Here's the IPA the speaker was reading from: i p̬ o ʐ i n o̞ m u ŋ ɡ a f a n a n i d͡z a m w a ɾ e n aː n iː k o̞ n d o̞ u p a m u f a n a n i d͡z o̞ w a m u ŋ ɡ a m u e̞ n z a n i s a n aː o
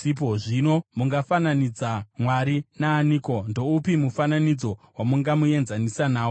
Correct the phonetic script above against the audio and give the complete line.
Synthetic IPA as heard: i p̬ o ʐ i n o̞ m u ŋ ɡ a f a n a n i d͡z a m w a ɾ i n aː n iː k o̞ n d o̞ u p i m u f a n a n i d͡z o̞ w a m u ŋ ɡ a m u e̞ n z a n i s a n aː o